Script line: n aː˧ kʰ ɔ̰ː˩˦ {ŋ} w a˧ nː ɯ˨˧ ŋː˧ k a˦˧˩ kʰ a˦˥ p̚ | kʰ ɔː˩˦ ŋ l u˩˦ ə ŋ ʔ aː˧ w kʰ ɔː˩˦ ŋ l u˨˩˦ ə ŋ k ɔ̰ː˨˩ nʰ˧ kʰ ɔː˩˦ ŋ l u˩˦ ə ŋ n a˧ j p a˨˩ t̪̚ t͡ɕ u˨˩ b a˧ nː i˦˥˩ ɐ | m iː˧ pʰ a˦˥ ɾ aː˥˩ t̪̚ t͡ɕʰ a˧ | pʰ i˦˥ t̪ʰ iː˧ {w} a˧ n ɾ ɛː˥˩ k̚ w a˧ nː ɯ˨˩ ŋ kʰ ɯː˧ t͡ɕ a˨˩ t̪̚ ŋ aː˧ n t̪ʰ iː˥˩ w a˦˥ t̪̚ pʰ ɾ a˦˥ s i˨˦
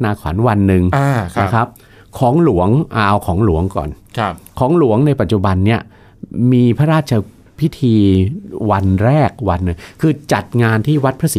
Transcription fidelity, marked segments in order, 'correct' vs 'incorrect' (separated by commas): incorrect, correct